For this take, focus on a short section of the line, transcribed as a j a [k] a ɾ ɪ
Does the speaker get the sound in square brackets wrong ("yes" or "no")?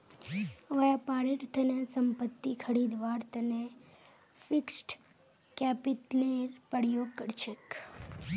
yes